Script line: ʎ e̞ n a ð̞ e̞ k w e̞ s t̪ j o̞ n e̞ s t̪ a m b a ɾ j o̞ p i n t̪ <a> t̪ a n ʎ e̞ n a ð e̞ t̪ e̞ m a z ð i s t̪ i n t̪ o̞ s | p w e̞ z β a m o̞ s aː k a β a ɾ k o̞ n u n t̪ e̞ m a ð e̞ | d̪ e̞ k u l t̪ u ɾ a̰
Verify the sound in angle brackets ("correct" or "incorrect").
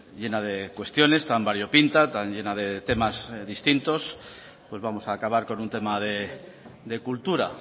correct